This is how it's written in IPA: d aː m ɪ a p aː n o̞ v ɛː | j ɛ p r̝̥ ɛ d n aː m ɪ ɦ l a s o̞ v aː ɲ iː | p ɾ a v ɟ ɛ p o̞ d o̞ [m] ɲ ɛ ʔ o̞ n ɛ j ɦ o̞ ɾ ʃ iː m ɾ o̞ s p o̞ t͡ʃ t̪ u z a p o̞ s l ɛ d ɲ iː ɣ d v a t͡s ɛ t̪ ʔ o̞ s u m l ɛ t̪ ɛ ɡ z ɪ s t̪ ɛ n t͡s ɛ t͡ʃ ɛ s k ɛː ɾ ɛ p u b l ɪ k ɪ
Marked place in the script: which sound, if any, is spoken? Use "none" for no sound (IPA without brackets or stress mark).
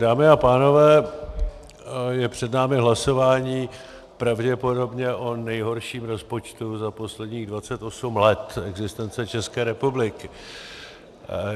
b